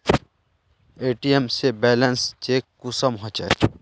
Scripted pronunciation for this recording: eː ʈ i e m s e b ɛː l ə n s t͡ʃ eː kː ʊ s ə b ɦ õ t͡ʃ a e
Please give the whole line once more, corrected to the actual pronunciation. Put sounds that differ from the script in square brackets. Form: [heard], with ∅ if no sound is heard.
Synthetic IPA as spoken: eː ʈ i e m s e b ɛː l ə n s t͡ʃ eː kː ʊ s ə [m] ɦ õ t͡ʃ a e